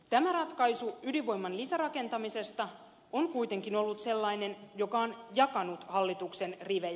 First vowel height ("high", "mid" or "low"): low